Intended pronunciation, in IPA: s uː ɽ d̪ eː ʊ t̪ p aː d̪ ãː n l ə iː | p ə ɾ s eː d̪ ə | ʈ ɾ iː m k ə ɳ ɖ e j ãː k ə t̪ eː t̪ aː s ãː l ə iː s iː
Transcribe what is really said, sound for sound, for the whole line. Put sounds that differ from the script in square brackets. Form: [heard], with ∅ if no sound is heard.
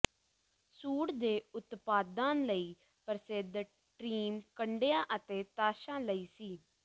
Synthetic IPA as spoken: s uː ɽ d̪ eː ʊ t̪ p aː d̪ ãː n l ə iː | p ə ɾ s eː d̪ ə | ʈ ɾ iː m k ə ɳ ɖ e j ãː [ʔ] ə t̪ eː t̪ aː [ʃ] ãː l ə iː s iː